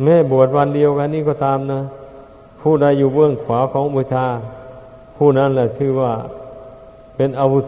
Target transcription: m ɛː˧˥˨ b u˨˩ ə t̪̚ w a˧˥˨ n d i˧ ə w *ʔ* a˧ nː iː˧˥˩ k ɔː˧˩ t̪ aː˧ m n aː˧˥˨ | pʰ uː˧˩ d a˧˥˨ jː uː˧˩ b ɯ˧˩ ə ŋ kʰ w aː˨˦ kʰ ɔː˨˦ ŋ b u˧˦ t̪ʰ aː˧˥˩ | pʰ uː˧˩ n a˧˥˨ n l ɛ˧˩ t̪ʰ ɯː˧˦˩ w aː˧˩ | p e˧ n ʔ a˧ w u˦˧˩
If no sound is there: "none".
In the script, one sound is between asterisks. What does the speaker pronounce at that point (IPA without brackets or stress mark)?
k